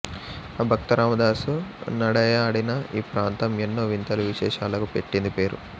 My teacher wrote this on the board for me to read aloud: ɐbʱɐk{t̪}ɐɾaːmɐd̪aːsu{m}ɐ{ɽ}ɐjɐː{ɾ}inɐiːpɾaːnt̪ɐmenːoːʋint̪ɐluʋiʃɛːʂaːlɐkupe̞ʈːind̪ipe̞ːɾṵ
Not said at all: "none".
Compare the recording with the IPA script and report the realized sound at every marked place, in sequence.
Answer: t̪, n, ɽ, ɽ

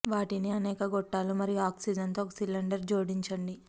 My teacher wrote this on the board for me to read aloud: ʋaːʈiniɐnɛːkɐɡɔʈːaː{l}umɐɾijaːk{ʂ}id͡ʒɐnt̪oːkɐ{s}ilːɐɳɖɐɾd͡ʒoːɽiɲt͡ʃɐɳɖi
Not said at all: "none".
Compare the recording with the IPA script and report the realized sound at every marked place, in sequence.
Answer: l, s, s

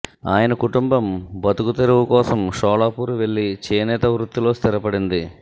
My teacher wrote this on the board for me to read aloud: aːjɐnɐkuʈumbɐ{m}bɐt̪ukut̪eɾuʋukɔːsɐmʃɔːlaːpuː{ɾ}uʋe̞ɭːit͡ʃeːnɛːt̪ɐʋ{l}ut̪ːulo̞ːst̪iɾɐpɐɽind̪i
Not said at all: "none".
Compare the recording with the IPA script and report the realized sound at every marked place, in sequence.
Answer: m, ɾ, ɾ

